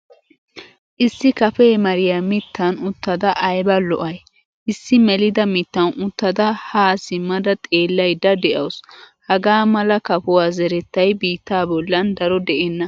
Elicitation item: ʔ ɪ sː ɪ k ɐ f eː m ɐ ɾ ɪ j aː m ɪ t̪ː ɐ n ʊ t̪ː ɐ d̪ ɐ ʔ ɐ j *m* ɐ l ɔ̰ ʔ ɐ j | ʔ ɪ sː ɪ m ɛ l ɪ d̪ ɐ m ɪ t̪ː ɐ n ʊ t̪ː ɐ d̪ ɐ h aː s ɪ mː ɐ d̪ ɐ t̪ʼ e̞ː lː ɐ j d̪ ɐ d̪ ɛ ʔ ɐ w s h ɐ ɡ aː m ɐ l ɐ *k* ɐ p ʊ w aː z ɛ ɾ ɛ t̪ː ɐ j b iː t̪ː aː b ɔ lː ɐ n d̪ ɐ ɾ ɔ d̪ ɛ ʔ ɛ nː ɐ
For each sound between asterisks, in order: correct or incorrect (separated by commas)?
incorrect, correct